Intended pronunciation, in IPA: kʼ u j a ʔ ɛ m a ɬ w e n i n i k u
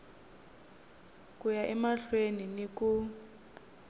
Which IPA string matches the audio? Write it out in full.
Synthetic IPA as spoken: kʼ u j a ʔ ɛ m a ɬ w e n i n i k u